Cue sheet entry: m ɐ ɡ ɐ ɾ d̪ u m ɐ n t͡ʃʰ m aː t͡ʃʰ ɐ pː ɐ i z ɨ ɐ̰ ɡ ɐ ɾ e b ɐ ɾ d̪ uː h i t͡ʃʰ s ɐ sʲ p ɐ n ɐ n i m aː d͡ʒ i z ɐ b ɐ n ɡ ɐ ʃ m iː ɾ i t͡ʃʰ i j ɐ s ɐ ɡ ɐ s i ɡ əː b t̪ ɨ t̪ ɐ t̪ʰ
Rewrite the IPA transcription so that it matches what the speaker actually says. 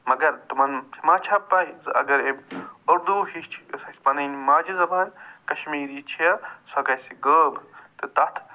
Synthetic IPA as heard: m ɐ ɡ ɐ ɾ t̪ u m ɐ n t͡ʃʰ m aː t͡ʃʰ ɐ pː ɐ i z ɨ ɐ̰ ɡ ɐ ɾ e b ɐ ɾ d̪ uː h i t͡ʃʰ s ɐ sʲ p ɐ n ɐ n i m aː d͡ʒ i z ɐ b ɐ n k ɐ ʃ m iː ɾ i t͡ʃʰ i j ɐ s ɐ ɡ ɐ s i ɡ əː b t̪ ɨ t̪ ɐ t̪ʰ